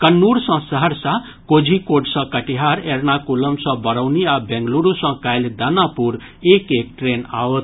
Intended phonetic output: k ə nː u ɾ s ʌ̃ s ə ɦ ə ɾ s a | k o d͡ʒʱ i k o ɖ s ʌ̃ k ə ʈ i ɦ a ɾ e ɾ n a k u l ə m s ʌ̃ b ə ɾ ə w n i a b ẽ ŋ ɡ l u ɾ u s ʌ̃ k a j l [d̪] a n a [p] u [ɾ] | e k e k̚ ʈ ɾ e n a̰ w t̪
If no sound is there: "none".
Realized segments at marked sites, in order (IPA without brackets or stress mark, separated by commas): d̪, p, ɾ